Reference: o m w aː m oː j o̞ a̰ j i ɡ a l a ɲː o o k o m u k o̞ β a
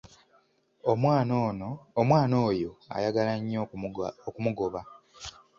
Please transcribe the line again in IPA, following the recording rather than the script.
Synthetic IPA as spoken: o m w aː n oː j o̞ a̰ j a ɡ a l a ɲː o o k u m u ɡ o̞ β a